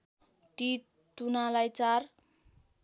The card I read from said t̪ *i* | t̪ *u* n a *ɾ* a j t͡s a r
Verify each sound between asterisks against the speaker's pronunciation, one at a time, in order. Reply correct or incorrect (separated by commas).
correct, correct, incorrect